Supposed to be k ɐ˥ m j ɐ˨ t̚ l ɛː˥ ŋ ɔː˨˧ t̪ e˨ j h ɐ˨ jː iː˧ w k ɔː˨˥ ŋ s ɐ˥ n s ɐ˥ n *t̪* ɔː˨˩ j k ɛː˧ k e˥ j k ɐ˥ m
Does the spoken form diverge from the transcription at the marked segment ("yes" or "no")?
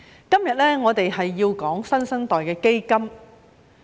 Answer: no